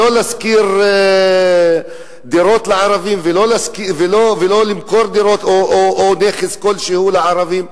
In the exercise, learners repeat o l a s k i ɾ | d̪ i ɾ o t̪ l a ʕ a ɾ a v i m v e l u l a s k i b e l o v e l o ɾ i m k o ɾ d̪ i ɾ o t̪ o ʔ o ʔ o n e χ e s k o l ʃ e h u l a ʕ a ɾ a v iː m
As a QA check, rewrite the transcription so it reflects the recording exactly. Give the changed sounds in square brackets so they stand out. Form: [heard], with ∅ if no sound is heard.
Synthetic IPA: o l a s k i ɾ | d̪ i ɾ o t̪ l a ʕ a ɾ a v i m v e l [o] l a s k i [v] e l o v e l o [l] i m k o ɾ d̪ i ɾ o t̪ o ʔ o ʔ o n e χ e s k o l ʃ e h u l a ʕ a ɾ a v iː m